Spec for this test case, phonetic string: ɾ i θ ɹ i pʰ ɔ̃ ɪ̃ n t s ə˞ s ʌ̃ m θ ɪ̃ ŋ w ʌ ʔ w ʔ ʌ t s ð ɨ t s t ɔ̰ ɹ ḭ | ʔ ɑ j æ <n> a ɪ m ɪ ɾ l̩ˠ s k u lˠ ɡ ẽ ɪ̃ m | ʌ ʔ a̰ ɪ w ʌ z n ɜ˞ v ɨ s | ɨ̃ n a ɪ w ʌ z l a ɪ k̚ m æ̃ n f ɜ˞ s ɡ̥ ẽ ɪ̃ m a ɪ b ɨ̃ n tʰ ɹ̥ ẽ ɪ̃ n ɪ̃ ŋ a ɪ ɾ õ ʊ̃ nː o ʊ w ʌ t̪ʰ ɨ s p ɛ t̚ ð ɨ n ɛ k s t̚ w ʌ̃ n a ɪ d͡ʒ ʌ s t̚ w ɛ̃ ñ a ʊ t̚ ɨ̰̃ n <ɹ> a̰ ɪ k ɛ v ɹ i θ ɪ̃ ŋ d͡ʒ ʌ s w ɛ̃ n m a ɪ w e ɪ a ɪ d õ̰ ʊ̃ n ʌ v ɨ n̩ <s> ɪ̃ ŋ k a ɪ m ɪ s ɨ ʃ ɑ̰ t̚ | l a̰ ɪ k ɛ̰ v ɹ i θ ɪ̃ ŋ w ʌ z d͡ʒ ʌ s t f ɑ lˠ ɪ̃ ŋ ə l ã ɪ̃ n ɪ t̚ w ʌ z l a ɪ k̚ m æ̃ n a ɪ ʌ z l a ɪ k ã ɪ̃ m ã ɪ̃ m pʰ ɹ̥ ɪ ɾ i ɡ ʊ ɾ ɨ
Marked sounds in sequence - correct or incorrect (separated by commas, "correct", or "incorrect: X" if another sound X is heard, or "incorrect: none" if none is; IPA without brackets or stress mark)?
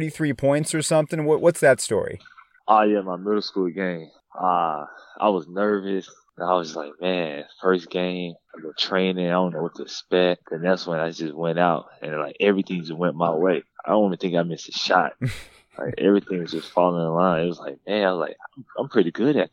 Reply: incorrect: m, incorrect: l, incorrect: θ